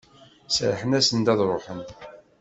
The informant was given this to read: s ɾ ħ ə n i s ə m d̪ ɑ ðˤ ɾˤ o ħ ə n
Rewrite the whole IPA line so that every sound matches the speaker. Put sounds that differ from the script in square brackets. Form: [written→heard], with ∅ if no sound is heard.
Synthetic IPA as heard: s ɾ ħ ə n [i→æ] s ə [m→n] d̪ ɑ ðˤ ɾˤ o ħ ə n